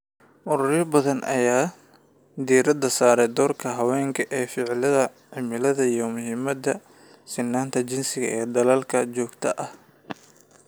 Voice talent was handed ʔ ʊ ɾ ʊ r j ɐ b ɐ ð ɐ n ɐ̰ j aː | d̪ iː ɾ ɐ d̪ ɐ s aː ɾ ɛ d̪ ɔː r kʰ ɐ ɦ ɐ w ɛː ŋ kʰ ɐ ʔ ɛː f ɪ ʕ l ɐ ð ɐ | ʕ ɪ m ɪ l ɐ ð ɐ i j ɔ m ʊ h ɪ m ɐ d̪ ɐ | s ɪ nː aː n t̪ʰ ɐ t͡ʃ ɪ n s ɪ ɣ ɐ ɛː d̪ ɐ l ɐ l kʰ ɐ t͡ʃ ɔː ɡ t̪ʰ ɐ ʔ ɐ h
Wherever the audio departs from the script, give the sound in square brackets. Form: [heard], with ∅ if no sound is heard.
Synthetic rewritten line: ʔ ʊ ɾ ʊ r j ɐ b ɐ ð ɐ n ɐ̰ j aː | d̪ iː ɾ ɐ d̪ ɐ s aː ɾ ɛ d̪ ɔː r kʰ ɐ ɦ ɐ w ɛː ŋ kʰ ɐ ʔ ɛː f ɪ ʕ l ɐ ð ɐ | ʕ ɪ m ɪ l ɐ ð ɐ i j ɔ m ʊ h ɪ m ɐ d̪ ɐ | s ɪ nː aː n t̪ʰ ɐ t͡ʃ ɪ n s ɪ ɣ ɐ ɛː d̪ ɐ l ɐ l kʰ ɐ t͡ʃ ɔː ɡ t̪ʰ ɐ ʔ ɐ h